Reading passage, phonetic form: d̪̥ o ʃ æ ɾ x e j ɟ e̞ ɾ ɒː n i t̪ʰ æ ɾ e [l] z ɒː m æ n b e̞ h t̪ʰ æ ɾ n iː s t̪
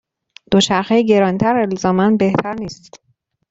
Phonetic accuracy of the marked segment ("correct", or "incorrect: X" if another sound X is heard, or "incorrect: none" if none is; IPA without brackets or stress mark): correct